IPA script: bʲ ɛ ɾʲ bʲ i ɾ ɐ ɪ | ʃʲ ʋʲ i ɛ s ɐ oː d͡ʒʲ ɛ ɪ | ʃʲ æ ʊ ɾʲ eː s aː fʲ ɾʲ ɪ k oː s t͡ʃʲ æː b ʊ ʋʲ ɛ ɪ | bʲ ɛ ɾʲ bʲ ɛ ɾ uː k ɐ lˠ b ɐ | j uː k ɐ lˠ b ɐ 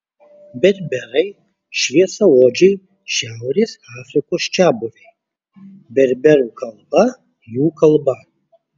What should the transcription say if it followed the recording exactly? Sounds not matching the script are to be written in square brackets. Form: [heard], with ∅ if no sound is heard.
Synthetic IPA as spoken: bʲ ɛ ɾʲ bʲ [ɛ] ɾ ɐ ɪ | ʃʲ ʋʲ i ɛ s ɐ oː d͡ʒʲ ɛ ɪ | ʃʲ æ ʊ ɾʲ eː s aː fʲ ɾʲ ɪ k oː s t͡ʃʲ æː b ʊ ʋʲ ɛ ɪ | bʲ ɛ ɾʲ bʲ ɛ ɾ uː k ɐ lˠ b ɐ | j uː k ɐ lˠ b ɐ